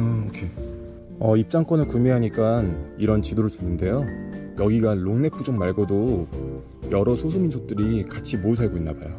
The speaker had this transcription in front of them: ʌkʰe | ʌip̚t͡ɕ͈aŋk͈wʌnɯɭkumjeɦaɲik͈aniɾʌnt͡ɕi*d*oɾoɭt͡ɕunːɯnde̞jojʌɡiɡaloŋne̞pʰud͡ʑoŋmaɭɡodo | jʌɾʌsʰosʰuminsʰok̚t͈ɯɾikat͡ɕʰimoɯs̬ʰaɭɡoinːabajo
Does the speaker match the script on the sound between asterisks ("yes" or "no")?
yes